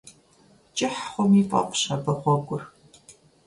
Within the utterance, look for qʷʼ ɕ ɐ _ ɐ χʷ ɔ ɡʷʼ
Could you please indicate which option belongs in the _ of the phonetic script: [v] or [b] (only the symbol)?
b